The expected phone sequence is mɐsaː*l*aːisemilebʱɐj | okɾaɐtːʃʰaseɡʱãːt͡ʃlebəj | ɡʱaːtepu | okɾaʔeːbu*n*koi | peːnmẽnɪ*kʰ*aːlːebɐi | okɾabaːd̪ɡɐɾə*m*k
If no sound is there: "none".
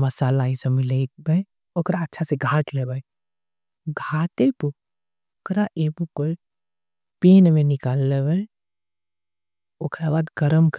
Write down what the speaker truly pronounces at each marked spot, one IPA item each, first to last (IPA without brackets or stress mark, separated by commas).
l, none, k, m